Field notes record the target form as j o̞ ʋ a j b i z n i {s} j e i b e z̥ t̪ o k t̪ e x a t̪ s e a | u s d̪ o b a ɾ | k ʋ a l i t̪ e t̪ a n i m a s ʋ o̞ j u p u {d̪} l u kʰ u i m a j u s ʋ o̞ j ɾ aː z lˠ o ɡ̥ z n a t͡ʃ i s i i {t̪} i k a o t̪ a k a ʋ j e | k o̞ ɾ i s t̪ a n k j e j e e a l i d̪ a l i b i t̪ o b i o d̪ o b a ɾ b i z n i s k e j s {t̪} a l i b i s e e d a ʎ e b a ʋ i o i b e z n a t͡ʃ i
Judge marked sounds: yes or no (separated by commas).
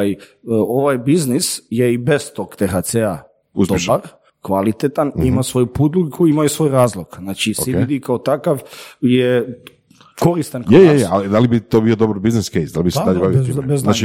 yes, yes, no, no